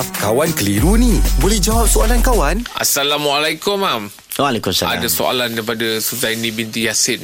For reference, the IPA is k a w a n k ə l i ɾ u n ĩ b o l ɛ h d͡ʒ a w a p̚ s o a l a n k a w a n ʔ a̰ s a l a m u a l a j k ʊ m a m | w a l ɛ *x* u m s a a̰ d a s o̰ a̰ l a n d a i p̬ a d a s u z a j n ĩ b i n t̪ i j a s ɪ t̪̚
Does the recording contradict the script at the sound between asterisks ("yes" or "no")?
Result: yes